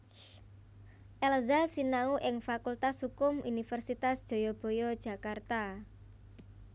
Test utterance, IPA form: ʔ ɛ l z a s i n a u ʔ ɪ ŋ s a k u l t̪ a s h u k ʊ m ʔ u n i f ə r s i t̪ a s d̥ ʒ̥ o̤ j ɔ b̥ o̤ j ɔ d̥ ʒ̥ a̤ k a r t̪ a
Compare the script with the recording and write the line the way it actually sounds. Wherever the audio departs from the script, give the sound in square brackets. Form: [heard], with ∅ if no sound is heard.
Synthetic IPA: ʔ ɛ l z a s i n a u ʔ ɪ ŋ [f] a k u l t̪ a s h u k ʊ m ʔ u n i f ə r s i t̪ a s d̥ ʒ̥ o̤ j ɔ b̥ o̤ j ɔ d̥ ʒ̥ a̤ k a r t̪ a